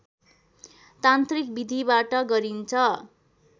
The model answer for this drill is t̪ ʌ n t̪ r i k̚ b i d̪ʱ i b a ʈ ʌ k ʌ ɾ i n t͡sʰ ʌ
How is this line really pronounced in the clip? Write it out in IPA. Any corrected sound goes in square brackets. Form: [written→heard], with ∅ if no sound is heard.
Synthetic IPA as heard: t̪ [ʌ→a] n t̪ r i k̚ b i d̪ʱ i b a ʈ ʌ [k→ɡ] ʌ ɾ i n t͡sʰ ʌ